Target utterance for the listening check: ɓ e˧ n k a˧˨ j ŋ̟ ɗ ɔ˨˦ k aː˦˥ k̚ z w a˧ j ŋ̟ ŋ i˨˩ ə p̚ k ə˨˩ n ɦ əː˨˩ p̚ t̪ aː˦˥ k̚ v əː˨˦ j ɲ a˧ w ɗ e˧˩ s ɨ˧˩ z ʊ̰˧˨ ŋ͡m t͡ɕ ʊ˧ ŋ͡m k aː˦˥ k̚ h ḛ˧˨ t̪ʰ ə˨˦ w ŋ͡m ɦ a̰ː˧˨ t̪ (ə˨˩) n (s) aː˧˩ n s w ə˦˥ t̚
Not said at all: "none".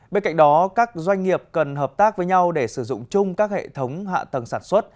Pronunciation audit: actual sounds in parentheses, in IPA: ə˨˩, s

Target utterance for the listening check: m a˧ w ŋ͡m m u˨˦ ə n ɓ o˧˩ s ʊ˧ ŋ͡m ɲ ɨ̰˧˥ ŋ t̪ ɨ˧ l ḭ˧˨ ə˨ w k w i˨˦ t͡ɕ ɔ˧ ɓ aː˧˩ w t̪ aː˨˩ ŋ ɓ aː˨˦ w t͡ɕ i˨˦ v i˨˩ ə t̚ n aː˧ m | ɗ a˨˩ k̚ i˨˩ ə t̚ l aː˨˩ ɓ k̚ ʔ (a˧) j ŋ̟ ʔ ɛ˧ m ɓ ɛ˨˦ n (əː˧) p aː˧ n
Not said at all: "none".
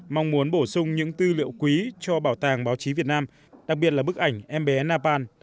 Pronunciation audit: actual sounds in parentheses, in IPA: a˧˩, aː˧

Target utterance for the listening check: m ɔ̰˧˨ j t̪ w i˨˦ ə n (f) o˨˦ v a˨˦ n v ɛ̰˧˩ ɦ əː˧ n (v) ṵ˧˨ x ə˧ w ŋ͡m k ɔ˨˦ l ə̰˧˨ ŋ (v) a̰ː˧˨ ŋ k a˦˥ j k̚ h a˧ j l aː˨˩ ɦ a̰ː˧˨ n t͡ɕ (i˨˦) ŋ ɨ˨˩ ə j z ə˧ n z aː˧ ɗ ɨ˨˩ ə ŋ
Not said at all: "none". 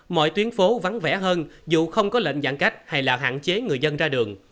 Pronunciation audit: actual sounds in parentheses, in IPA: f, z, z, e˨˦

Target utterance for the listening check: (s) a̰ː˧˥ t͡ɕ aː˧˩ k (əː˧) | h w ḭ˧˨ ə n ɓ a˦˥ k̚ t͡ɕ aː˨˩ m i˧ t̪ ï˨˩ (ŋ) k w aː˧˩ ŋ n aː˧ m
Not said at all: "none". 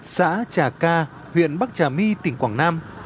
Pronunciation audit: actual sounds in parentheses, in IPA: s, aː˧, ŋ

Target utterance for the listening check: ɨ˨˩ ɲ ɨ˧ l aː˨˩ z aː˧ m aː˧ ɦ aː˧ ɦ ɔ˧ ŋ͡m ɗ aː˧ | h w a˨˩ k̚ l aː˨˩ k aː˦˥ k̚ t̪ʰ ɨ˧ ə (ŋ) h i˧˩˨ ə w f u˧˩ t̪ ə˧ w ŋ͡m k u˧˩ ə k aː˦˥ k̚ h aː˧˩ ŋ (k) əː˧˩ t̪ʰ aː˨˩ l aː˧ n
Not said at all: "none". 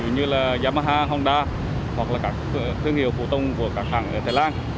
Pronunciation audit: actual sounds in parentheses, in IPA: ŋ, ʔ

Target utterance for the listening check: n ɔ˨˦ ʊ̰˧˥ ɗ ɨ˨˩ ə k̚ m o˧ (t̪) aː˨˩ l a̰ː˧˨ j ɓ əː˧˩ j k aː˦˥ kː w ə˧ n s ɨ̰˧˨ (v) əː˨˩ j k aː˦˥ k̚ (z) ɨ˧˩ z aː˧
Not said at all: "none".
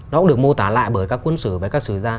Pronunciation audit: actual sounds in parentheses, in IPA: t̪, v, s

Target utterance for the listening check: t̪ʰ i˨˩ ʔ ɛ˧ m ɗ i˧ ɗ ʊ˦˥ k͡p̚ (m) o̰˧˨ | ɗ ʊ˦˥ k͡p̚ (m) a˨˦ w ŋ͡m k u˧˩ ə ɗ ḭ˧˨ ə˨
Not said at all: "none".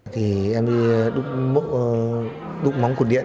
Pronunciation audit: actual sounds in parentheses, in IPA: m, m

